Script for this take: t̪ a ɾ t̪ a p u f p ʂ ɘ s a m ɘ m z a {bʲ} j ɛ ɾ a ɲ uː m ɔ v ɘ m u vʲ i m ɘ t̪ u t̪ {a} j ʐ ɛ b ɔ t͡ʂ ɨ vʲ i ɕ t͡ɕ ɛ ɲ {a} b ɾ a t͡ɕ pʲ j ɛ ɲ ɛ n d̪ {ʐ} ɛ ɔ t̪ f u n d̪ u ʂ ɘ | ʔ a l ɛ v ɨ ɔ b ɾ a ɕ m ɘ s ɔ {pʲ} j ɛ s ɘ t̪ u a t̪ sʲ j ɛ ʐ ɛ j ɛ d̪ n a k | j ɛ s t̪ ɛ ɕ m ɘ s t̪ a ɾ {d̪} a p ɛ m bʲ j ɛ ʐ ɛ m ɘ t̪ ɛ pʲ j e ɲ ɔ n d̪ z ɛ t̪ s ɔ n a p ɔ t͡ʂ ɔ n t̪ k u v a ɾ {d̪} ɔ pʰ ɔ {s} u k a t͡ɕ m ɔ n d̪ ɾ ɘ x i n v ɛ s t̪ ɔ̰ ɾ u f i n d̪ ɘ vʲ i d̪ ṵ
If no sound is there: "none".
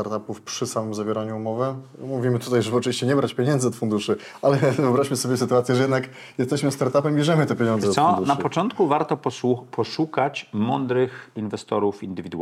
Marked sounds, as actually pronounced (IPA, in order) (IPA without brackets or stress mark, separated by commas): vʲ, a, ɛ, z, bʲ, t̪, t̪, ʂ